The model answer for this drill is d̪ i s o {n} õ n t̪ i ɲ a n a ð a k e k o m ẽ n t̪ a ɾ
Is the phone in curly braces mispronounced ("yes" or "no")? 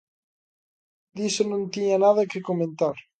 no